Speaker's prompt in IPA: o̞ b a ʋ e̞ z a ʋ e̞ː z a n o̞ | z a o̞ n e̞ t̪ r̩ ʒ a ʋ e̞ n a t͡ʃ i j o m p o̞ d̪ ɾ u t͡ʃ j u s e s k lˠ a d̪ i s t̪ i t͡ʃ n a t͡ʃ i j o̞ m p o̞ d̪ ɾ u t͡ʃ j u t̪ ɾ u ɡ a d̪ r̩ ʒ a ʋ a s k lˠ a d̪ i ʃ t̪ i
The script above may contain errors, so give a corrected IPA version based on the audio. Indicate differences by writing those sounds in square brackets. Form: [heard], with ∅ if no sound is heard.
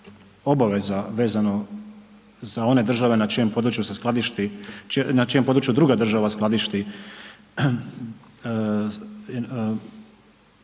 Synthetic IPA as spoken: o̞ b a ʋ e̞ z a ʋ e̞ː z a n o̞ | z a o̞ n e̞ [d̪] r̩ ʒ a ʋ e̞ n a t͡ʃ i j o m p o̞ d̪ ɾ u t͡ʃ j u s e s k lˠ a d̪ i [ʃ] t̪ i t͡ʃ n a t͡ʃ i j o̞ m p o̞ d̪ ɾ u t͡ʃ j u [d̪] ɾ u ɡ a d̪ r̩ ʒ a ʋ a s k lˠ a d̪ i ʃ t̪ i